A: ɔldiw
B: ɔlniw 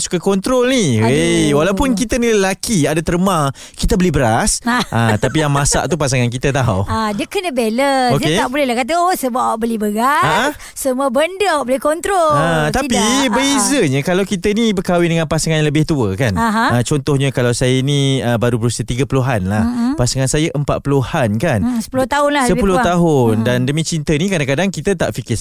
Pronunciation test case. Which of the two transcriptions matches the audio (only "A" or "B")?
B